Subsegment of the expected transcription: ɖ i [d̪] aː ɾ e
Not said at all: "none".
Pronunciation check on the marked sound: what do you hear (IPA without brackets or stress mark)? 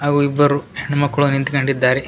d̪ː